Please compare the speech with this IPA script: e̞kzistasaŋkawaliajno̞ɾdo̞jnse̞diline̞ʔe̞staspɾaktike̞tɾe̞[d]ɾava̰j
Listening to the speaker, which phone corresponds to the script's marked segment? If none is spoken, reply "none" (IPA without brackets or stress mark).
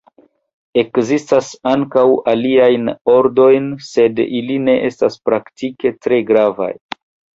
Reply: ɡ